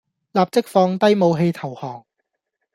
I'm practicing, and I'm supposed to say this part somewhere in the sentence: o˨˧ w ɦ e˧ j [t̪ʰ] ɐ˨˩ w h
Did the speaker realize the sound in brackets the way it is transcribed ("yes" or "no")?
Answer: yes